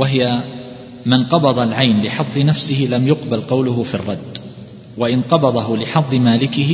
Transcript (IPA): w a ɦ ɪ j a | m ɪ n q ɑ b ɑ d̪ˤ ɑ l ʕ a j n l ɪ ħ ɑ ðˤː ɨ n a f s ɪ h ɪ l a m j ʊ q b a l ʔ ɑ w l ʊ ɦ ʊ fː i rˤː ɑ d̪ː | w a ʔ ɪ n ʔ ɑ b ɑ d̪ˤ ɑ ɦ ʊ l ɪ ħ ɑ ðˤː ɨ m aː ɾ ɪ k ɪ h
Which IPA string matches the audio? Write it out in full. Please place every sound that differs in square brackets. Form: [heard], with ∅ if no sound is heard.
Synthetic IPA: w a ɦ ɪ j a | m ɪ n q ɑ b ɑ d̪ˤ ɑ l ʕ a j n l ɪ ħ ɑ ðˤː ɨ n a f s ɪ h ɪ l a m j ʊ q b a l [q] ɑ w l ʊ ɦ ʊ [f] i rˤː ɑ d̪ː | w a ʔ ɪ n [q] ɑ b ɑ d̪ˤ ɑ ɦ ʊ l ɪ ħ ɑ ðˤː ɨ m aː [l] ɪ k ɪ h